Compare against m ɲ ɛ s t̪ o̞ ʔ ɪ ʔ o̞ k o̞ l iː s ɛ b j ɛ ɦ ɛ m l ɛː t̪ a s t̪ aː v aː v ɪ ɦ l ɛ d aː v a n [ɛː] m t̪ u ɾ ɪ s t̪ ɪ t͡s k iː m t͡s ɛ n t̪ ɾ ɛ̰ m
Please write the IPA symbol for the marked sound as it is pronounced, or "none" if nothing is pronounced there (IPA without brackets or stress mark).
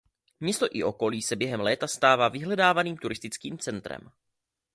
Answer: iː